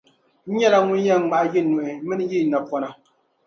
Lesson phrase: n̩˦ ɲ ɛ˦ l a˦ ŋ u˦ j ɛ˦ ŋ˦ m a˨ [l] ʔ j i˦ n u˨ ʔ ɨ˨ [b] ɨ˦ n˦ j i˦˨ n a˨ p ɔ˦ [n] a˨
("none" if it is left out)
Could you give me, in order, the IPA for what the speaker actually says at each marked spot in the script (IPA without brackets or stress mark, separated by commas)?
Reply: none, m, n